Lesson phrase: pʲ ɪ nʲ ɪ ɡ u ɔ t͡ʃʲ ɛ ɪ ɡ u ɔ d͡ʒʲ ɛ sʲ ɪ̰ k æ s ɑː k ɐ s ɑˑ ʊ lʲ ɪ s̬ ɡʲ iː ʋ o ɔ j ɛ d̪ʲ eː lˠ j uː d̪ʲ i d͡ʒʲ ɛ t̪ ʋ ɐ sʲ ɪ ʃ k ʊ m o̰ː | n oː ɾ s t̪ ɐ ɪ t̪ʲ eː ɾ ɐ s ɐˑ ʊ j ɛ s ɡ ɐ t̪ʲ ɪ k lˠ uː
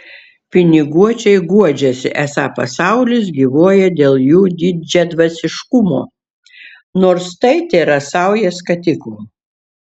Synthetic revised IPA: pʲ ɪ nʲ ɪ ɡ u ɔ t͡ʃʲ ɛ ɪ ɡ u ɔ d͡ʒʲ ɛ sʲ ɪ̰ ʔ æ s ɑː p ɐ s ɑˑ ʊ lʲ ɪ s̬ ɡʲ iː ʋ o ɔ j ɛ d̪ʲ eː lˠ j uː d̪ʲ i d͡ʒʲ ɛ d̪ ʋ ɐ sʲ ɪ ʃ k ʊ m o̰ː | n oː ɾ s t̪ ɐ ɪ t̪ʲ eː ɾ ɐ s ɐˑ ʊ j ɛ s k ɐ t̪ʲ ɪ k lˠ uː